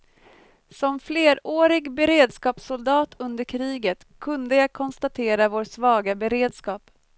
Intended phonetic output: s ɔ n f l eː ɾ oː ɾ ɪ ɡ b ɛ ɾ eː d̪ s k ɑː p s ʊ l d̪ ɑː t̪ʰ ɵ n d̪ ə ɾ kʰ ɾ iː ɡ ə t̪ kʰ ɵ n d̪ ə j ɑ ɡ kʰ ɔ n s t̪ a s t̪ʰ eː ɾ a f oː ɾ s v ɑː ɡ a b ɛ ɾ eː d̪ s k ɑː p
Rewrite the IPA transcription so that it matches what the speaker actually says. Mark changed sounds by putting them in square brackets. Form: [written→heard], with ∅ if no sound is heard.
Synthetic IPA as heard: s ɔ [n→m] f l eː ɾ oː ɾ ɪ ɡ b ɛ ɾ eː d̪ s k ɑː p s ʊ l d̪ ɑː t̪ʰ ɵ n d̪ ə ɾ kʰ ɾ iː ɡ ə t̪ kʰ ɵ n d̪ ə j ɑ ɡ kʰ ɔ n s t̪ a [s→∅] t̪ʰ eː ɾ a [f→v] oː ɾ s v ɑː ɡ a b ɛ ɾ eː d̪ s k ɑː p